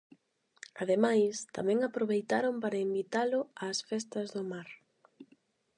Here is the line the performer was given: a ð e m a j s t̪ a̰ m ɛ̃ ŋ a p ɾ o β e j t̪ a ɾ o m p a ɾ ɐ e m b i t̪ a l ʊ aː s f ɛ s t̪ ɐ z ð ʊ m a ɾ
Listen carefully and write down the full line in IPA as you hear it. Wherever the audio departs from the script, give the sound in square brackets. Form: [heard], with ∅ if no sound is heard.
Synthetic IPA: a ð e m a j s t̪ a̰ m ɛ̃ ŋ a p ɾ o β e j t̪ a ɾ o m p a ɾ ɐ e m b i t̪ a l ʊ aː s f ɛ s t̪ ɐ z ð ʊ m a ɾ